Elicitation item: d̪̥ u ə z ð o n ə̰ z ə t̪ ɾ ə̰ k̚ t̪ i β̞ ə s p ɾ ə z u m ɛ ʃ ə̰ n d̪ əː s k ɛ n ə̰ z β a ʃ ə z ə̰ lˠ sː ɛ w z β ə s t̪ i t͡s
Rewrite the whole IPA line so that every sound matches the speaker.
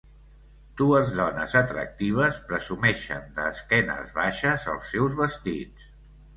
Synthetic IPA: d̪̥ u ə z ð ɔ n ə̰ z ə t̪ ɾ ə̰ k̚ t̪ i β̞ ə s p ɾ ə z u m ɛ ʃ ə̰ n d̪ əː s k ɛ n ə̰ z β a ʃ ə z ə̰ lˠ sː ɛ w z β ə s t̪ i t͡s